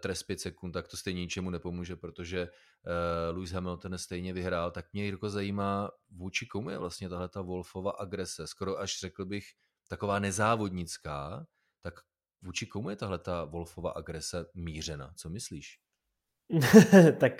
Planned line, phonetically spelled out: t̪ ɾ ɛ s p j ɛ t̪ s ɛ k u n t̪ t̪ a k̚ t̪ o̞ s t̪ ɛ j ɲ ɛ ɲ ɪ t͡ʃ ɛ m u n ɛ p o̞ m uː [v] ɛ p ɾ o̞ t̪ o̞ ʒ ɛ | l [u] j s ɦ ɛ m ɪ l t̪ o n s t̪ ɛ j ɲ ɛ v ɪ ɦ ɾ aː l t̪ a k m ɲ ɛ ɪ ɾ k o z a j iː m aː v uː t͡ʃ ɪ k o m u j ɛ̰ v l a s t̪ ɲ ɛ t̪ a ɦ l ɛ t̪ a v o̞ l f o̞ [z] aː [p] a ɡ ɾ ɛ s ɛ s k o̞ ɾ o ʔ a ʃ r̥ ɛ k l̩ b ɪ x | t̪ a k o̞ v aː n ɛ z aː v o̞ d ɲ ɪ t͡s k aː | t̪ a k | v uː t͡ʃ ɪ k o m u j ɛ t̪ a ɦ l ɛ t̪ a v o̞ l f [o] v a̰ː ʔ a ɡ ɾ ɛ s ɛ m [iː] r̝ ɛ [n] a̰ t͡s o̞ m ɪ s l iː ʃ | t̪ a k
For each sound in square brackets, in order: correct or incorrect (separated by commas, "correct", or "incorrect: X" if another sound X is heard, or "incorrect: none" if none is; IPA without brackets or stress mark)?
incorrect: ʒ, correct, incorrect: v, incorrect: ʔ, correct, correct, correct